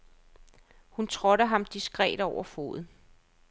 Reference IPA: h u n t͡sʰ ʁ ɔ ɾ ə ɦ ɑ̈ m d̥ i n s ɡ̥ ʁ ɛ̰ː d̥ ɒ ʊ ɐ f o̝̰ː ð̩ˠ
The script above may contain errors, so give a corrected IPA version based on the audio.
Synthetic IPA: h u n t͡sʰ ʁ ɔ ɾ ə ɦ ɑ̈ m d̥ i s ɡ̥ ʁ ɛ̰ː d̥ ɒ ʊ ɐ f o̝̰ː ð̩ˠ